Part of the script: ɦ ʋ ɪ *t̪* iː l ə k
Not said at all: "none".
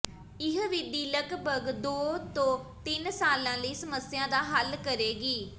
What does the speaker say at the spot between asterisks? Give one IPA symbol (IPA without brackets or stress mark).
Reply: d̪